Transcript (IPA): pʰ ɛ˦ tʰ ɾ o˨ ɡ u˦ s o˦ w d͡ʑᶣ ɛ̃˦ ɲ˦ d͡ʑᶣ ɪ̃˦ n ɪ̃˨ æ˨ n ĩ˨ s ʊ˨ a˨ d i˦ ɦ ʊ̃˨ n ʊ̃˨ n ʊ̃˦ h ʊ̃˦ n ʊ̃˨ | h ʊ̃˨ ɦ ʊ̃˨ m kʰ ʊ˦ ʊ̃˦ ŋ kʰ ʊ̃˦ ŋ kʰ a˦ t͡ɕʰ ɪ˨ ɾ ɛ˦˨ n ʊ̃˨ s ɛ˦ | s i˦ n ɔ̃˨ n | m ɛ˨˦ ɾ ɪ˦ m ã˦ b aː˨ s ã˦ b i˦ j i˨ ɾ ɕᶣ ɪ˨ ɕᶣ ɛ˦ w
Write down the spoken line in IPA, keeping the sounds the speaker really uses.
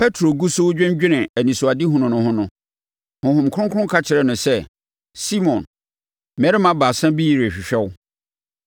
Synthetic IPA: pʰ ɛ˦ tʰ ɾ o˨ ɡ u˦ s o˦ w d͡ʑᶣ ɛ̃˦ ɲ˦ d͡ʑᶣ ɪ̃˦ n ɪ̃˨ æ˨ n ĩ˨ s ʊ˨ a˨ d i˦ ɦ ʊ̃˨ n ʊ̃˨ n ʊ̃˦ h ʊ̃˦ n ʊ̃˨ | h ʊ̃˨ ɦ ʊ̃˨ m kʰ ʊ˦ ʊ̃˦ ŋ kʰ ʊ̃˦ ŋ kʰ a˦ t͡ɕʰ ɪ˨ ɾ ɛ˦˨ n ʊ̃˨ s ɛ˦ | s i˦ m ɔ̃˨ n | m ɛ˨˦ ɾ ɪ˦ m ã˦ b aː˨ s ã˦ b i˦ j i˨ ɾ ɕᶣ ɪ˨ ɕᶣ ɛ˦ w